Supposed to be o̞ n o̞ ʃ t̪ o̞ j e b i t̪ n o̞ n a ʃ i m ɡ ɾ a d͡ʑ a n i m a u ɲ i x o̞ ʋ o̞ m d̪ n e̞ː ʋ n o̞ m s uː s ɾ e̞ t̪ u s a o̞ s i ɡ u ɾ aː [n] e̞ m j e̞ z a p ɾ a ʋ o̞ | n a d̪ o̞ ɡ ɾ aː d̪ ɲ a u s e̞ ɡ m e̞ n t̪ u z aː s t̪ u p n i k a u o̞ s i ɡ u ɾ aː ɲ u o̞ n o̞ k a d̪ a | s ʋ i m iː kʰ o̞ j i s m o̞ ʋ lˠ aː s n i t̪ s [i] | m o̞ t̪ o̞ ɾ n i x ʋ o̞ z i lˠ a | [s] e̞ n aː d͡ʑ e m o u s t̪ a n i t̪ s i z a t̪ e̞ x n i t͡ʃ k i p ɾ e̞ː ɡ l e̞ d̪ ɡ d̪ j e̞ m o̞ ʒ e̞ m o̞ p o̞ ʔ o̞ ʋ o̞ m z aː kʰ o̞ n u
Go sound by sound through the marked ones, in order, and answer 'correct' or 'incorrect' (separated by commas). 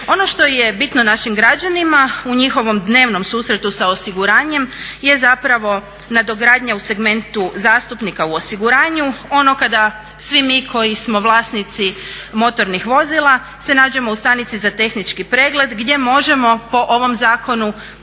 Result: incorrect, correct, correct